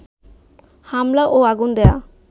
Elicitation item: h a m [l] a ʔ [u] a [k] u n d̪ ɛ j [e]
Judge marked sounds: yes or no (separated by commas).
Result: yes, no, no, no